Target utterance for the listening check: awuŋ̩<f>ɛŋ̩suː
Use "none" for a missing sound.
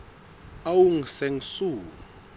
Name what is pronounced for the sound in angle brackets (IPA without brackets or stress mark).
s